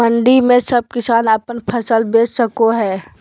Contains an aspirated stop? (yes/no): yes